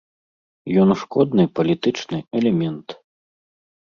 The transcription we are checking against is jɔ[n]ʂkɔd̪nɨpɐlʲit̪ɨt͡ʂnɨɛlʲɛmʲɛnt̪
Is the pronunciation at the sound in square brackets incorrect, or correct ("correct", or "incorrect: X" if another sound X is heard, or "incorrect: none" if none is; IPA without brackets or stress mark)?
correct